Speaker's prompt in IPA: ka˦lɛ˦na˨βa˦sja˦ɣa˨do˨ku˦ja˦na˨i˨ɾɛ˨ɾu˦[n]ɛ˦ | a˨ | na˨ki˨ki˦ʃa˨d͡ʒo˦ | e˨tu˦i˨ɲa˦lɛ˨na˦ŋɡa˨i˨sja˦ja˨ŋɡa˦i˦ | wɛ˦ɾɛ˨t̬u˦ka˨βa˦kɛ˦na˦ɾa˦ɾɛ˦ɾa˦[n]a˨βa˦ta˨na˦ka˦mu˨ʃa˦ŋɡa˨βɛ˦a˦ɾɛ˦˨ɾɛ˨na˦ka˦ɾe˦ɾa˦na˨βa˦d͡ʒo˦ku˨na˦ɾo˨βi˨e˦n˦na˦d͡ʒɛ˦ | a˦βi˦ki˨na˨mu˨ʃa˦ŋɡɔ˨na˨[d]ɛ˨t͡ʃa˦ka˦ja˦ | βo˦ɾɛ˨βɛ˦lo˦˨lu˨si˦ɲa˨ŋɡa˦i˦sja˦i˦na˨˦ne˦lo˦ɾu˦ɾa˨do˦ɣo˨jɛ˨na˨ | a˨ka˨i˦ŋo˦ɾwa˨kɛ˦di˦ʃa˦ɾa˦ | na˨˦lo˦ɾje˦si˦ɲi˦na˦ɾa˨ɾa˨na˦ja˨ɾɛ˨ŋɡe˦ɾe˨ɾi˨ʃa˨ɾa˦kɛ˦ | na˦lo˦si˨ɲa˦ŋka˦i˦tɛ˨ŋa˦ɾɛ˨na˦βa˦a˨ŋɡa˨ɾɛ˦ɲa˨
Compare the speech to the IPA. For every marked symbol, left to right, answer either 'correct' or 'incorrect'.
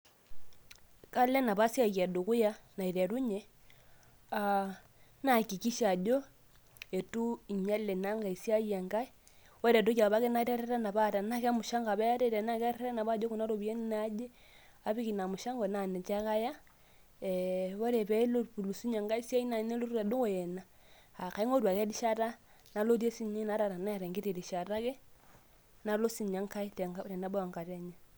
incorrect, correct, incorrect

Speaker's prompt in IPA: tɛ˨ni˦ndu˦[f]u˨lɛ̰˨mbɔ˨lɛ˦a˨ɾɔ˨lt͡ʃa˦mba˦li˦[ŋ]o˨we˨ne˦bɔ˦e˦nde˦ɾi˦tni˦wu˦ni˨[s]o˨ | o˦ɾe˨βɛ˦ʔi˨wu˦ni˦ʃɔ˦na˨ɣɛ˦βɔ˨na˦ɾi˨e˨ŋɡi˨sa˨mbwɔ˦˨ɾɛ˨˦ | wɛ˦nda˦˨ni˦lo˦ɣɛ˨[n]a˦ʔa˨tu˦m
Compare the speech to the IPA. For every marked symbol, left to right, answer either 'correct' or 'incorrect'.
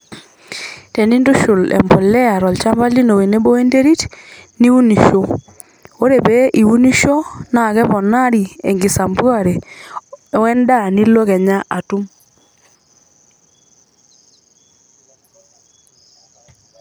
incorrect, incorrect, incorrect, incorrect

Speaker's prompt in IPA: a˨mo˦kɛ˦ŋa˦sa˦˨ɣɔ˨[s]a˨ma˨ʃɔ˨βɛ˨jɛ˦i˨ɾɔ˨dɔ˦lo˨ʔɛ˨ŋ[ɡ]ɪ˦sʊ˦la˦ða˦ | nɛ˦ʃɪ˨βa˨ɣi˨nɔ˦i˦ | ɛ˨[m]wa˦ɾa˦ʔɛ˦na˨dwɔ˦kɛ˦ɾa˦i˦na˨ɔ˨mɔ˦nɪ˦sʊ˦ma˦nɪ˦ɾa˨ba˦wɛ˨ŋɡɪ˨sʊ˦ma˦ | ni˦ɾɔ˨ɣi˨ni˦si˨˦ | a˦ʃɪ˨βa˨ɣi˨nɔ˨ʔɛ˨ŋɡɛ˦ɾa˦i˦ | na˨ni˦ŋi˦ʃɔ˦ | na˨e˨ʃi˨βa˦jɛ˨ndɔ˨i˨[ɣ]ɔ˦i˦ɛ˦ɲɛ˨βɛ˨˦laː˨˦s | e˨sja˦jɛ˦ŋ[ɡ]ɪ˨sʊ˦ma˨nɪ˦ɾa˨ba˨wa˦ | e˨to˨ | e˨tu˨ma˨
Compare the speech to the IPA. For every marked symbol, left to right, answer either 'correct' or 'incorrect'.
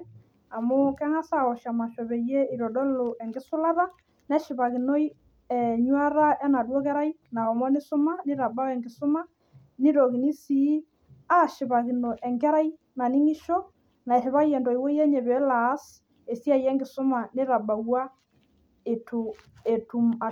incorrect, correct, incorrect, incorrect, correct

